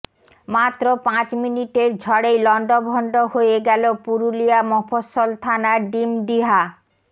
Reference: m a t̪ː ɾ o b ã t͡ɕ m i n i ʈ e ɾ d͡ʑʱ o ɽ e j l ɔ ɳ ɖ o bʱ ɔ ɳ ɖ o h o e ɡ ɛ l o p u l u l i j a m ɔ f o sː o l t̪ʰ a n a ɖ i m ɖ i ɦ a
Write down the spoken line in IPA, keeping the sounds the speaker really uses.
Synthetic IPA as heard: m a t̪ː ɾ o p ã t͡ɕ m i n i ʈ e ɾ d͡ʑʱ ɔ ɽ e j l ɔ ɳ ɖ o bʱ ɔ ɳ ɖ o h o e ɡ ɛ l o p u ɾ u l i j a m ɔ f o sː o l t̪ʰ a n a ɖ i m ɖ i ɦ a